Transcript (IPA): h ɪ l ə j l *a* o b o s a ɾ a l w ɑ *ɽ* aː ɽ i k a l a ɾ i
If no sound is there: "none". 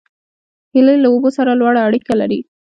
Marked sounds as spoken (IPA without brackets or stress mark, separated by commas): a, ɽ